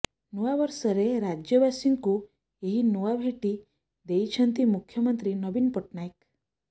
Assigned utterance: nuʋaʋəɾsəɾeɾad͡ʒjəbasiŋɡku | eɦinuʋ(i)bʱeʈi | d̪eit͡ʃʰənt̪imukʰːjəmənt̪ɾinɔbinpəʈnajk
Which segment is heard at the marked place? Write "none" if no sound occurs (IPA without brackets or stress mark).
a